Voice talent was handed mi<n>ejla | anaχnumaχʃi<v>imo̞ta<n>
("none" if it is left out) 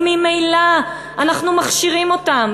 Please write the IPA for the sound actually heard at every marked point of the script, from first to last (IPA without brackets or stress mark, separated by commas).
m, ʁ, m